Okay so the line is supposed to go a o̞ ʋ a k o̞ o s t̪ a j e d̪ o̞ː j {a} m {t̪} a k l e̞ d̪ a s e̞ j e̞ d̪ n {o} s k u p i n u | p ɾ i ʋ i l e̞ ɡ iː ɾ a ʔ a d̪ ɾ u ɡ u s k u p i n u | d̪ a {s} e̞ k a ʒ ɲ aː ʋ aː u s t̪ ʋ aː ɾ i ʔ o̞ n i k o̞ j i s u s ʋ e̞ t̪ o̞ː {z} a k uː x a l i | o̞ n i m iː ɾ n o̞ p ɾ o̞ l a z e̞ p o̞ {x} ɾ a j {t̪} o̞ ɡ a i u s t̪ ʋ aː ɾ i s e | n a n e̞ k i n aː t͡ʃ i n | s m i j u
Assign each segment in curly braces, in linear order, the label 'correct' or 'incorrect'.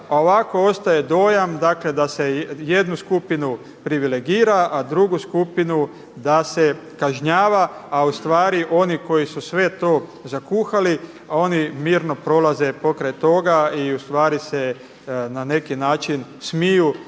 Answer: correct, incorrect: d̪, incorrect: u, correct, correct, incorrect: k, correct

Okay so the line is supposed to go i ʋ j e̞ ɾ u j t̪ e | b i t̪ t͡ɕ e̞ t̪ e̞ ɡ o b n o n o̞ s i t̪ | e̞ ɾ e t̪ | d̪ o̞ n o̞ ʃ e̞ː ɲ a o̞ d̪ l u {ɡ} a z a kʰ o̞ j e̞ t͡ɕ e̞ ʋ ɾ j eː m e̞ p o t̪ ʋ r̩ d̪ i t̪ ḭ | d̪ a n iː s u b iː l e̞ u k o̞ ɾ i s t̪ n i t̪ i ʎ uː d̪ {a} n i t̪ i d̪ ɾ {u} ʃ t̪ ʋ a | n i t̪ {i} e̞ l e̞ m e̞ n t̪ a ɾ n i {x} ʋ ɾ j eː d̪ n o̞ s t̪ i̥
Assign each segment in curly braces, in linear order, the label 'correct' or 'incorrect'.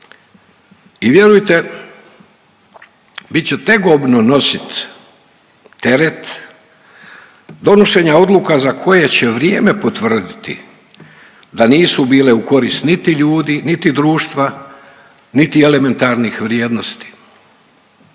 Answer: incorrect: k, incorrect: i, incorrect: uː, correct, correct

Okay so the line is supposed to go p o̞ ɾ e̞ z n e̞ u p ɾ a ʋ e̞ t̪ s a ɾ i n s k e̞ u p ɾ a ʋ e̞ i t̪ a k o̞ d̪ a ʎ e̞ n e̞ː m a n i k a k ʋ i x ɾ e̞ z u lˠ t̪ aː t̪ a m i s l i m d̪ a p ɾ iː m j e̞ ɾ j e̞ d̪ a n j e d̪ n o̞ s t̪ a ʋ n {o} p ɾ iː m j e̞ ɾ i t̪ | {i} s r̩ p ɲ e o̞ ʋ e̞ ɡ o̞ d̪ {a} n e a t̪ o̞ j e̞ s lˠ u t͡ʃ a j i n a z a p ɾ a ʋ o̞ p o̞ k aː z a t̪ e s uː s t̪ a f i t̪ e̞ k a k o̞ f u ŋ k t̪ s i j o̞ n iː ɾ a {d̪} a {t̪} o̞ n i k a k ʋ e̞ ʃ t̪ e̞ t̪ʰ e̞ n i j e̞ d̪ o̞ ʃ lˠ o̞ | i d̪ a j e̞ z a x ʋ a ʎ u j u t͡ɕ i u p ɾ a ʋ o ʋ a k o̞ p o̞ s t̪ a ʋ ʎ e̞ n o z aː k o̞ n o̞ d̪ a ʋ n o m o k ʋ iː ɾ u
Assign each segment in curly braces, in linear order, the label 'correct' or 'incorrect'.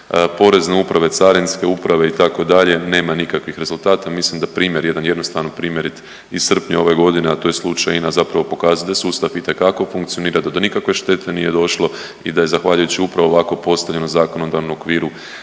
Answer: correct, correct, incorrect: i, correct, incorrect: d̪

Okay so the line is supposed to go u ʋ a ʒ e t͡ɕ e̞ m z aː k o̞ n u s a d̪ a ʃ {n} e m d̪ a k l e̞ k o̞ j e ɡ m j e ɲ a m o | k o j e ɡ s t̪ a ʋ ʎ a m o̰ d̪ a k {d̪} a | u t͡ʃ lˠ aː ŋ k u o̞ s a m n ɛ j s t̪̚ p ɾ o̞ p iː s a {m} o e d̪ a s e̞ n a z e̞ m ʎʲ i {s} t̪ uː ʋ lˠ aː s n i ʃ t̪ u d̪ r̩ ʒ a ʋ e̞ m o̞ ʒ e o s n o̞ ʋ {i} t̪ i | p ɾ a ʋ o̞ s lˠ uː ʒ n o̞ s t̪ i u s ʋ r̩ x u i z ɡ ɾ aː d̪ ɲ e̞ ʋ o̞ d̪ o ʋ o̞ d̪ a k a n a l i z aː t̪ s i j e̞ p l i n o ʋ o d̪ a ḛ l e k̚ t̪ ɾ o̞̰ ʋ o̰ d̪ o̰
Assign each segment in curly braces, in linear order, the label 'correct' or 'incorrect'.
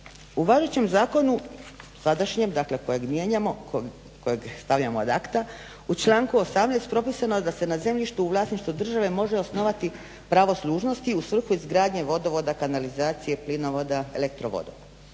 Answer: incorrect: ɲ, incorrect: t̪, incorrect: n, incorrect: ʃ, incorrect: a

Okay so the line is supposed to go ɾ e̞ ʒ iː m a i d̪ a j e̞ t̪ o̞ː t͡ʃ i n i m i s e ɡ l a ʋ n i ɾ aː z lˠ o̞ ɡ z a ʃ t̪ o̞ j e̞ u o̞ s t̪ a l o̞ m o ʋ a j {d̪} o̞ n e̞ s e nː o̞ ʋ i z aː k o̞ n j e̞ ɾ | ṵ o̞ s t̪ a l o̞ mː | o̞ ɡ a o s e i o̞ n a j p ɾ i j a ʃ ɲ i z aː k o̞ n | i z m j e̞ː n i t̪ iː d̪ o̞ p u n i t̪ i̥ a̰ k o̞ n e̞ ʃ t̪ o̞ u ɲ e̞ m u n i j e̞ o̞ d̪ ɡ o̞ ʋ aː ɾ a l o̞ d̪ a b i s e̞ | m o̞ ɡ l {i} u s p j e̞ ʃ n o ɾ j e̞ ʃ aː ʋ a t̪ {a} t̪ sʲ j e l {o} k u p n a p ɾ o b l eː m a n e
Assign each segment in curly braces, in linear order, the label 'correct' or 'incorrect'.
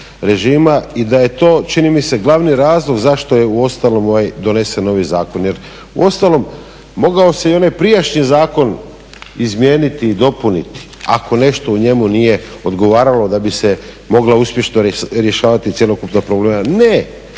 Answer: correct, incorrect: a, incorrect: i, correct

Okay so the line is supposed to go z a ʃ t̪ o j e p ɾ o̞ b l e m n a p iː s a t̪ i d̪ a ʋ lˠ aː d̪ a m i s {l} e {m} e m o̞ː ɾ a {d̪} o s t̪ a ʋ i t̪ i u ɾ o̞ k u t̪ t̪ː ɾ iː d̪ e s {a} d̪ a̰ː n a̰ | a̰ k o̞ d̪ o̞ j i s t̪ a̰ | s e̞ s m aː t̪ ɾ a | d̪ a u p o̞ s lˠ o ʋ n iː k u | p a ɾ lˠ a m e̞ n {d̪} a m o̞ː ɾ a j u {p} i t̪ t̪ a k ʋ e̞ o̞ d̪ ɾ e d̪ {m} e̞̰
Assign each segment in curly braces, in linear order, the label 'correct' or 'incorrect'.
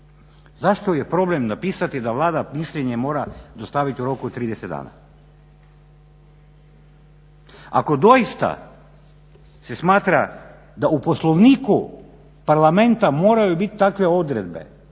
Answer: incorrect: ʎ, incorrect: ɲ, correct, incorrect: e, incorrect: t̪, incorrect: b, incorrect: b

